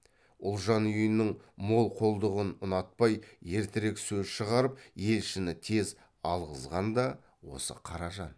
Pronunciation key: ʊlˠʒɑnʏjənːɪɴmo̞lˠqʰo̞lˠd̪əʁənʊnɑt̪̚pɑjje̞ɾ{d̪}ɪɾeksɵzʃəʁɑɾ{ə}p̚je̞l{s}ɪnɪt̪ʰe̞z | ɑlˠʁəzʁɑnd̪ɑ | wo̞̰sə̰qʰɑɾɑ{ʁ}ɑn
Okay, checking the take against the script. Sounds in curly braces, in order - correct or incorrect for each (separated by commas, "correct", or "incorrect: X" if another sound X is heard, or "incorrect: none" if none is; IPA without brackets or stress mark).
incorrect: t̪, correct, incorrect: ʃ, incorrect: ʒ